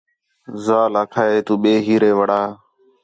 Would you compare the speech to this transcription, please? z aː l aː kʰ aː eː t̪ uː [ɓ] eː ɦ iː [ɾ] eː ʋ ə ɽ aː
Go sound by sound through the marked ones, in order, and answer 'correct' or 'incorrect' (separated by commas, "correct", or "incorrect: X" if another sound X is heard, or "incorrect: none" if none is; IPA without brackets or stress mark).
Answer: correct, correct